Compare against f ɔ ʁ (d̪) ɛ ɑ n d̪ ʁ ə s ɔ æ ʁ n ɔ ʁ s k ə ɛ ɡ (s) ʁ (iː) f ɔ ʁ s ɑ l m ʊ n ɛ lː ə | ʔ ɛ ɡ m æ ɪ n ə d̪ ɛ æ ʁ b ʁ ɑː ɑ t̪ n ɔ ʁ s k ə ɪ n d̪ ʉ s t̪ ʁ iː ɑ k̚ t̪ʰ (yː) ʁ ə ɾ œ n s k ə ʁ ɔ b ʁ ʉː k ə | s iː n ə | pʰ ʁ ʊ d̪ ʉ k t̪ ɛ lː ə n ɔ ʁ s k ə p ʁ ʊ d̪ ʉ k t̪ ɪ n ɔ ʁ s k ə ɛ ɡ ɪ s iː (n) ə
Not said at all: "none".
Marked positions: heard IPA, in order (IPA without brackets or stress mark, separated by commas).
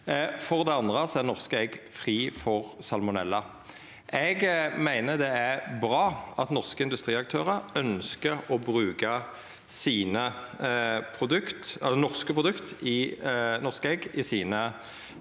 d̪, f, iː, øː, n